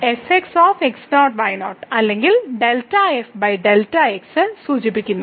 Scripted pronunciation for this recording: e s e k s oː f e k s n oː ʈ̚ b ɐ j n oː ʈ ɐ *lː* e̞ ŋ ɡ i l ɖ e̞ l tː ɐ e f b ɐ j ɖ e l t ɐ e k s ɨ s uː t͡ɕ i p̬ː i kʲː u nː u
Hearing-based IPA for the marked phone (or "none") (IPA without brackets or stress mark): lː